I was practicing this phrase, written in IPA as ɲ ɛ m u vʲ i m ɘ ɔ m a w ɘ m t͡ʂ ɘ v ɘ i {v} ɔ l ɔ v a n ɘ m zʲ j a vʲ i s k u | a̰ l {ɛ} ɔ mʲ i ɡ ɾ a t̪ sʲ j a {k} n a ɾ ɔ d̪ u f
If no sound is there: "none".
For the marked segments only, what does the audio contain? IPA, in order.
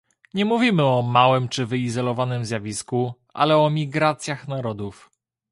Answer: z, ɛ, x

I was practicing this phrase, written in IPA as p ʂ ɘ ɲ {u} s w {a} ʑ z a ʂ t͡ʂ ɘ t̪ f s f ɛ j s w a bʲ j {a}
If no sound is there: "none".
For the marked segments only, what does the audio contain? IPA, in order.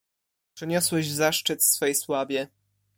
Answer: ɔ, ɛ, ɛ

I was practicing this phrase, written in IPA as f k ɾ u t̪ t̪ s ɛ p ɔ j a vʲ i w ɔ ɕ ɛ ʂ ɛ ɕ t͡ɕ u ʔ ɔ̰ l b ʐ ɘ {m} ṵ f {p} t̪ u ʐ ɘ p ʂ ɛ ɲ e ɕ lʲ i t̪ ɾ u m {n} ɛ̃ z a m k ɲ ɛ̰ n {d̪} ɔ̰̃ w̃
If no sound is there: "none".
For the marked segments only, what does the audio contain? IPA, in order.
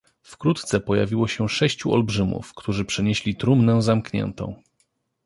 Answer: m, k, n, t̪

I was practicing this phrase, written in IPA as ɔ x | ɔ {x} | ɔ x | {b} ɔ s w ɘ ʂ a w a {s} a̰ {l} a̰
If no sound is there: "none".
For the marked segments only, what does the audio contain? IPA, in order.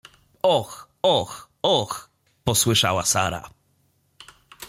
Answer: x, p, s, ɾ

